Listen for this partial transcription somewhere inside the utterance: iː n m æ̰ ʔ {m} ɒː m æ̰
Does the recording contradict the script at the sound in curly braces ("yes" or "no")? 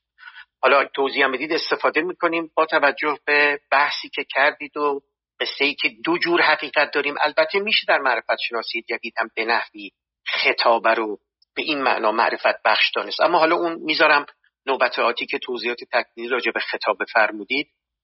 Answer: yes